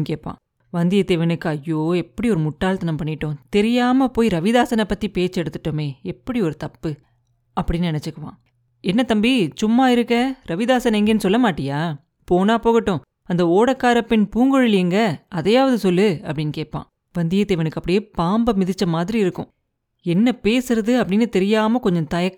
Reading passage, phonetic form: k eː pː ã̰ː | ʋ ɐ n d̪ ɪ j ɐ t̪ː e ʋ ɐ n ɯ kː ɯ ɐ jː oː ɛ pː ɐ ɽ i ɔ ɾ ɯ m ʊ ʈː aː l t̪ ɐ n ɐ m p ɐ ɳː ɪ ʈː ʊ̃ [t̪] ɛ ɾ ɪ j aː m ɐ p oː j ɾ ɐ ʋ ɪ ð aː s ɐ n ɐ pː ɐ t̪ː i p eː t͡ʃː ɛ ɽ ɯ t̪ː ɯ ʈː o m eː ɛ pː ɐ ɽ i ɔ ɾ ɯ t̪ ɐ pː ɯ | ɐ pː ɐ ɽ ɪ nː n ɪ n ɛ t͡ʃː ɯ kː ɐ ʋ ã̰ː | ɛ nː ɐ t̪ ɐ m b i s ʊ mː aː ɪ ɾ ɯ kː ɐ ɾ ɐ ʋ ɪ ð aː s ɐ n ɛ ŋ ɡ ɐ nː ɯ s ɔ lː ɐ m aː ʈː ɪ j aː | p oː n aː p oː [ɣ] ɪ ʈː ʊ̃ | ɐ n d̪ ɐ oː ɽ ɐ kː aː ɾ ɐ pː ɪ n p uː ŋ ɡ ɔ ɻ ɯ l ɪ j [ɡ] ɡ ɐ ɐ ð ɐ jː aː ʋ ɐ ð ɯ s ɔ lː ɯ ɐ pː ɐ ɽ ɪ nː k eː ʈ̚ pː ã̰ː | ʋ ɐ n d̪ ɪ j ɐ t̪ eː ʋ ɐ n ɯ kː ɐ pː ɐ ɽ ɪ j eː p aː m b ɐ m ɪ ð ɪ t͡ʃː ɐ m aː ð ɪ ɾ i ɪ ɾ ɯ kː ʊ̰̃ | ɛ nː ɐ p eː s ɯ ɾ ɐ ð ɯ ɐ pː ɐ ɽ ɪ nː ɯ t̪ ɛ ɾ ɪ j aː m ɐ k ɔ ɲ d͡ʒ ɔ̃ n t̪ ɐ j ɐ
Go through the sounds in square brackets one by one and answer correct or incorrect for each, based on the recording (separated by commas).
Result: correct, correct, incorrect